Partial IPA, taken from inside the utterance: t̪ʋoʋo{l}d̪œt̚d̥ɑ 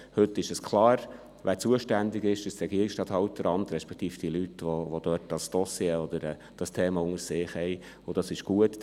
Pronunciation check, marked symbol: incorrect: none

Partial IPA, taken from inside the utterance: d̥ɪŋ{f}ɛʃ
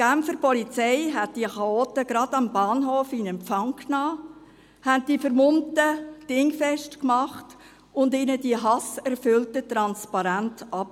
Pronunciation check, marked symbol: correct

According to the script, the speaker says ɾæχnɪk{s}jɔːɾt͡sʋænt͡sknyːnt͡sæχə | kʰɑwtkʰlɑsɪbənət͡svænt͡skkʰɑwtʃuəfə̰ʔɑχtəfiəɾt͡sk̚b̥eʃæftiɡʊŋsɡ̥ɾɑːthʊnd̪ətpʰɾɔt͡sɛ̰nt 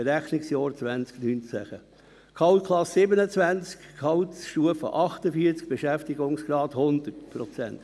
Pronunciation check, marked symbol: correct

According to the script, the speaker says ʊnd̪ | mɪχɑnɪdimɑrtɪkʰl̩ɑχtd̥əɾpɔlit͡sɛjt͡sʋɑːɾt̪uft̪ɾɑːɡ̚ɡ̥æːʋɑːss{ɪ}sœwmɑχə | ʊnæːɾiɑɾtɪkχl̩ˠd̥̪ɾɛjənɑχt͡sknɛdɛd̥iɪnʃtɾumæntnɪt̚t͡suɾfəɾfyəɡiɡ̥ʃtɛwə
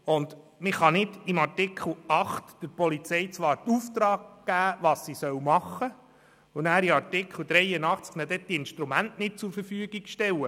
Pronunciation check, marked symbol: incorrect: i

